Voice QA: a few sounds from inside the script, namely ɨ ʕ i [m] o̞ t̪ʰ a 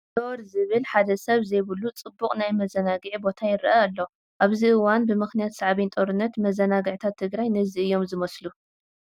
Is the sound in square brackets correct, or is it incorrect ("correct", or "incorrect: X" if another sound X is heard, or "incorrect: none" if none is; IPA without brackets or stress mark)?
incorrect: b